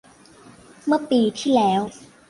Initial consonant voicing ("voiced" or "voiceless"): voiced